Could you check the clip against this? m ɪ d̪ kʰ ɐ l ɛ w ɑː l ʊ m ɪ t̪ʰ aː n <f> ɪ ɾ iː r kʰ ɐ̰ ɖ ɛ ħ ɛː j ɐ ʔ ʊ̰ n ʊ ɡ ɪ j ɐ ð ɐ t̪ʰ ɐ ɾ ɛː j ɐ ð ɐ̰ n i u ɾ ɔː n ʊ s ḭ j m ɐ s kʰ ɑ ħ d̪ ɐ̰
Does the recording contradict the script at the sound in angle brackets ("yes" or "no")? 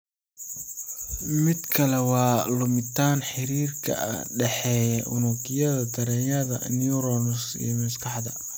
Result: yes